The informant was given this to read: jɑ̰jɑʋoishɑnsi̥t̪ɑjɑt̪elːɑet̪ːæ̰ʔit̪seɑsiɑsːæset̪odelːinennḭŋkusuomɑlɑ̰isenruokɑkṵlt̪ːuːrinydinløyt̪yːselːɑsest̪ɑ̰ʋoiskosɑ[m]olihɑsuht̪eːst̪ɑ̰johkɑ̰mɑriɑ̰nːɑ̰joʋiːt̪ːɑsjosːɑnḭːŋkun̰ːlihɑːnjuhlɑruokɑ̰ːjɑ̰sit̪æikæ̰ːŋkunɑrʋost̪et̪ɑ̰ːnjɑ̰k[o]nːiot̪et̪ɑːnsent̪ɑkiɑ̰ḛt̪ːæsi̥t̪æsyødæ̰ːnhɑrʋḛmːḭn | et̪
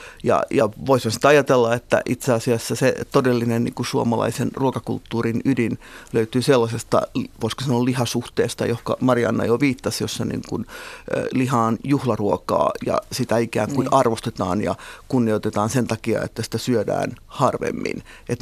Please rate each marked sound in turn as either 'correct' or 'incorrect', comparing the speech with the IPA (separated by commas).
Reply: incorrect, incorrect